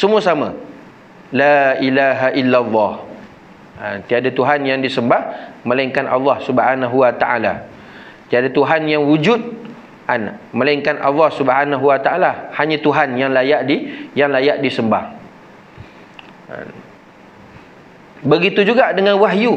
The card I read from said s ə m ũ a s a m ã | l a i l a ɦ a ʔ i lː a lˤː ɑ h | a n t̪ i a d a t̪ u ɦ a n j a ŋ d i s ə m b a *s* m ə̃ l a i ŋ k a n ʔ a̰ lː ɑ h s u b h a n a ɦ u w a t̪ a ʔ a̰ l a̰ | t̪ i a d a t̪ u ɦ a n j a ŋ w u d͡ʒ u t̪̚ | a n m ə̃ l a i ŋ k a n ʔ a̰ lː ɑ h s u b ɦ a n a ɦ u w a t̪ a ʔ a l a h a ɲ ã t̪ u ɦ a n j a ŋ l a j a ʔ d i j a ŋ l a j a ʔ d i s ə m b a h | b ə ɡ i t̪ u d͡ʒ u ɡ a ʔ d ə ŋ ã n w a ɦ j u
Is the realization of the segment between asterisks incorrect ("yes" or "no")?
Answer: yes